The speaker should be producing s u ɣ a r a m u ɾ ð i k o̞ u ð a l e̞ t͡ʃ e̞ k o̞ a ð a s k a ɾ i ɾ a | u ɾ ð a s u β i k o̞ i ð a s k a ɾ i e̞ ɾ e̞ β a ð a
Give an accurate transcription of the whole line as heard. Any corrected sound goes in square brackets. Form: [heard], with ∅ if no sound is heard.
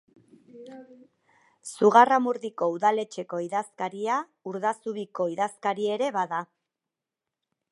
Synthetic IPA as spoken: s u ɣ a r a m u ɾ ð i k o̞ u ð a l e̞ t͡ʃ e̞ k o̞ [i] ð a s k a ɾ i [∅] a | u ɾ ð a s u β i k o̞ i ð a s k a ɾ i e̞ ɾ e̞ β a ð a